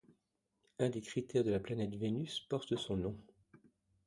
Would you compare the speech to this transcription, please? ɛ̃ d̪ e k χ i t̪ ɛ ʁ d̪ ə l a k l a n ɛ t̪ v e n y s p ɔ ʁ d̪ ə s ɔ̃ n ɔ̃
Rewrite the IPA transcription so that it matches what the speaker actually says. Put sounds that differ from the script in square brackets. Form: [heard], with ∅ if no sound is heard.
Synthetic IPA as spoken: ɛ̃ d̪ e k χ i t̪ ɛ ʁ d̪ ə l a [p] l a n ɛ t̪ v e n y s p ɔ ʁ [t̪] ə s ɔ̃ n ɔ̃

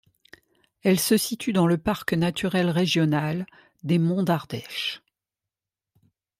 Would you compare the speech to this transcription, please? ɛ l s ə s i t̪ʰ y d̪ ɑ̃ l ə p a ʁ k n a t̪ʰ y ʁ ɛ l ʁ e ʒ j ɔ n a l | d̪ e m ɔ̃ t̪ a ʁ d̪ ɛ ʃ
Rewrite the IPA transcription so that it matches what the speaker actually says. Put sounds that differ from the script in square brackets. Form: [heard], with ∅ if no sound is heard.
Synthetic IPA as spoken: ɛ l s ə s i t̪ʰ y d̪ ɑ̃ l ə p a ʁ k n a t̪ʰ y ʁ ɛ l ʁ e ʒ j ɔ n a l | d̪ e m ɔ̃ [d̪] a ʁ d̪ ɛ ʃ

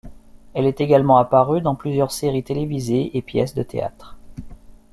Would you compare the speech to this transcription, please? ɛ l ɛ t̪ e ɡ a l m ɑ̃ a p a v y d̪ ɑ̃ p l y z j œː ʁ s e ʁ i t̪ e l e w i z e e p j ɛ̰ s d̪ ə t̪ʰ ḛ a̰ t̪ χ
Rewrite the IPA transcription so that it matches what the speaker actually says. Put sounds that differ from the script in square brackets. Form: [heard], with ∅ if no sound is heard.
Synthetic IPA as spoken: ɛ l ɛ t̪ e ɡ a l m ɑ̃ a p a [ʁ] y d̪ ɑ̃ p l y z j [œ] ʁ s e ʁ i t̪ e l e [v] i z e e p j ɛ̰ s d̪ ə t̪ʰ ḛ a̰ t̪ χ

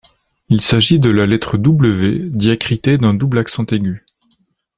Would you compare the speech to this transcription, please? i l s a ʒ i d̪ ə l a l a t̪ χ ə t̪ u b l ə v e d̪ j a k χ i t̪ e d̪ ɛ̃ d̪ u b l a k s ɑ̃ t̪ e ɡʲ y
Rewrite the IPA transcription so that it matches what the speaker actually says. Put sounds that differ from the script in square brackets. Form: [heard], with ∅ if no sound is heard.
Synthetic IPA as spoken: i l s a ʒ i d̪ ə l a l [ɛ] t̪ χ ə [d̪] u b l ə v e d̪ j a k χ i t̪ e d̪ ɛ̃ d̪ u b l a k s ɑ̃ t̪ e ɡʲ y

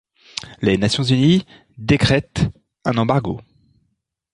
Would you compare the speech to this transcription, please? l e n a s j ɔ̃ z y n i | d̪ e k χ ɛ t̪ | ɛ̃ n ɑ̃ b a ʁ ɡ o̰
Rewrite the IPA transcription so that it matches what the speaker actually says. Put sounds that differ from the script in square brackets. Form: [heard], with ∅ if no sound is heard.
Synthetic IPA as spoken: l e n a s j ɔ̃ z y n i | d̪ e k χ ɛ t̪ | ɛ̃ n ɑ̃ b a ʁ ɡ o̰

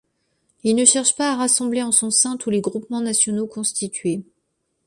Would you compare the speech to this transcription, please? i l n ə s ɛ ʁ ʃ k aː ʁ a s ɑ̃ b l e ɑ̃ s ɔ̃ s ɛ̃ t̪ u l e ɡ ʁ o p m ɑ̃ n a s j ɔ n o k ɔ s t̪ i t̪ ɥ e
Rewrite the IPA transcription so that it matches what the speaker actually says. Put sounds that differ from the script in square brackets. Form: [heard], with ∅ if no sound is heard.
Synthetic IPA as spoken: i l n ə [ʃ] ɛ ʁ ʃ [p] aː ʁ a s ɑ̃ b l e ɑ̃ s ɔ̃ s ɛ̃ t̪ u l e ɡ ʁ [u] p m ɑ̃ n a s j ɔ n o k [ɔ̃] s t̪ i t̪ ɥ e

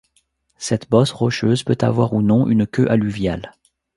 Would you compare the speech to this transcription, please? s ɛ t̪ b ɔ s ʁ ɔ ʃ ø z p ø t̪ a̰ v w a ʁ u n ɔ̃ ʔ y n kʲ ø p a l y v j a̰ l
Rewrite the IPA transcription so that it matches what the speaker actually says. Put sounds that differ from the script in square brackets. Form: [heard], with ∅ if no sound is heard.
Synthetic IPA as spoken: s ɛ t̪ b ɔ s ʁ ɔ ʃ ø z p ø t̪ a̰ v w a ʁ u n ɔ̃ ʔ y n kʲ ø [ʔ] a l y v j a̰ l

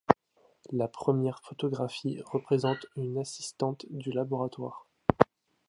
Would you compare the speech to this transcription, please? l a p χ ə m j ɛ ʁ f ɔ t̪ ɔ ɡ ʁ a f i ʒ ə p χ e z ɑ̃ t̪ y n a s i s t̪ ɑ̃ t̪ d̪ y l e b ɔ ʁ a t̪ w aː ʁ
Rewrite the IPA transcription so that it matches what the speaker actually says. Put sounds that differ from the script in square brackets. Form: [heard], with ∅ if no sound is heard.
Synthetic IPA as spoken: l a p χ ə m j ɛ ʁ f ɔ t̪ ɔ ɡ ʁ a f i [ʁ] ə p χ e z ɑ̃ t̪ y n a s i s t̪ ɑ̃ t̪ d̪ y l [a] b ɔ ʁ a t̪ w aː ʁ

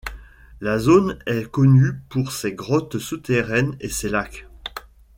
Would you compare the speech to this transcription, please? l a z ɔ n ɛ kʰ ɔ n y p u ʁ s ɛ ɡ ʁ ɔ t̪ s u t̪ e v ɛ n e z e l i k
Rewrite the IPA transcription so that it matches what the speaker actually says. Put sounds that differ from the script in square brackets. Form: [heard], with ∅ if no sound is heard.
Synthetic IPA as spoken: l a z [o] n ɛ [k] ɔ n y p u ʁ s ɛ ɡ ʁ ɔ t̪ s u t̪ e [ʁ] ɛ n e [s] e l [a] k

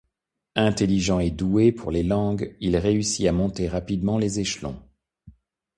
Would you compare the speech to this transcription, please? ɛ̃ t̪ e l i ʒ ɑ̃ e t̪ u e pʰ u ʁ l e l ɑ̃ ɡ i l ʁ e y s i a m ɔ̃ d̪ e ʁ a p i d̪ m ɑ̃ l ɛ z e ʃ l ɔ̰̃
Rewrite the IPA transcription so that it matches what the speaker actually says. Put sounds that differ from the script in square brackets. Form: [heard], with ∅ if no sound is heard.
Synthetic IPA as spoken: ɛ̃ t̪ e l i ʒ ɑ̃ e [d̪] u e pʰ u ʁ l e l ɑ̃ ɡ i l ʁ e y s i a m ɔ̃ [t̪] e ʁ a p i d̪ m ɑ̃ l [e] z e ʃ l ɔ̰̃

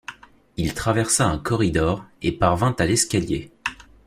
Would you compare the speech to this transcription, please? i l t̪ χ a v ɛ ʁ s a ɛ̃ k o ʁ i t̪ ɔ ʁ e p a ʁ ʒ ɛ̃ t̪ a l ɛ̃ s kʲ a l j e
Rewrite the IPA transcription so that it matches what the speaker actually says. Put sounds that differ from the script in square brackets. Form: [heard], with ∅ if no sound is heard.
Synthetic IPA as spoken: i l t̪ χ a v ɛ ʁ s a ɛ̃ k [ɔ] ʁ i [d̪] ɔ ʁ e p a ʁ [v] ɛ̃ t̪ a l [ɛ] s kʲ a l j e

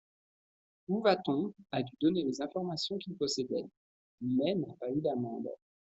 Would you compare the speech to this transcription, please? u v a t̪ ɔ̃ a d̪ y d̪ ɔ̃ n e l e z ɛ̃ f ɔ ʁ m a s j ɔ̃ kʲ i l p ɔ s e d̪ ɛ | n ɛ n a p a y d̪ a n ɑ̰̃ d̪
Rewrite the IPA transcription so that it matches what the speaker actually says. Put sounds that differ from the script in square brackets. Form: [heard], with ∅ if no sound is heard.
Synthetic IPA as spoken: u v a t̪ ɔ̃ a d̪ y d̪ [ɔ] n e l e z ɛ̃ f ɔ ʁ m a s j ɔ̃ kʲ i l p ɔ s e d̪ ɛ | [m] ɛ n a p a y d̪ a [m] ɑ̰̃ d̪

